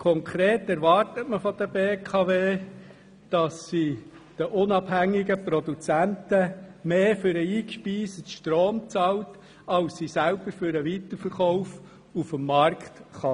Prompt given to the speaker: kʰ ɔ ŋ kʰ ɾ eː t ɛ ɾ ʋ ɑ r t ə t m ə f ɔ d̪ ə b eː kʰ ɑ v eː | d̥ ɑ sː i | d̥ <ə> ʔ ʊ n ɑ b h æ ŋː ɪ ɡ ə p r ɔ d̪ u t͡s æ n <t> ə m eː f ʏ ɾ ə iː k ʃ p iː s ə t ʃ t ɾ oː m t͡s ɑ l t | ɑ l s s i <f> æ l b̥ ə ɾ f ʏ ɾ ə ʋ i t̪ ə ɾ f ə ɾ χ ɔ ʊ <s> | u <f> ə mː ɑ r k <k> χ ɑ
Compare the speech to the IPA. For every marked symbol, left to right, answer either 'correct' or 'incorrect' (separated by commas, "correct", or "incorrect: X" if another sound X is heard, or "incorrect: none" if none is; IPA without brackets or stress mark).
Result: correct, correct, incorrect: s, incorrect: f, correct, incorrect: t